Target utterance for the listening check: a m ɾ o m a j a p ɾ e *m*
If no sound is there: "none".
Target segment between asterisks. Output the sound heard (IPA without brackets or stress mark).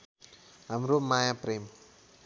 m